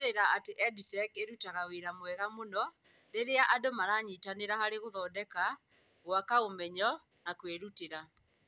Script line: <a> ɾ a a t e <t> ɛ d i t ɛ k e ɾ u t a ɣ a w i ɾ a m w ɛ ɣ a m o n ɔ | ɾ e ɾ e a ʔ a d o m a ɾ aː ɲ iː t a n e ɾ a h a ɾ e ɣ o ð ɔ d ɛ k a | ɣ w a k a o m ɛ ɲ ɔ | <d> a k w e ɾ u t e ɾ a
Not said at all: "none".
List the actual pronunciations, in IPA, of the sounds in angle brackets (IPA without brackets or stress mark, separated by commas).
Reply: e, ʔ, n